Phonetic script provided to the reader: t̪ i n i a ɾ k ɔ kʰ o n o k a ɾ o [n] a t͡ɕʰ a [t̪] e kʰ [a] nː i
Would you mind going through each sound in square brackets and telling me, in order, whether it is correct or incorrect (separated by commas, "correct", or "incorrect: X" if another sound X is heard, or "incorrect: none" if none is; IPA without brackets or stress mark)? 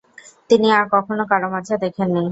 incorrect: m, incorrect: d̪, incorrect: e